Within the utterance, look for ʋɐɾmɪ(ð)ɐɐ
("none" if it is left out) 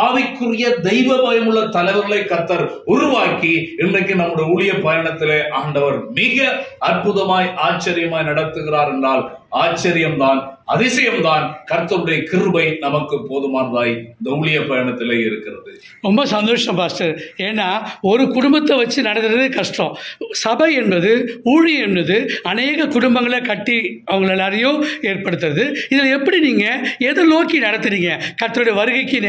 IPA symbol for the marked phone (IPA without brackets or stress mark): ɣ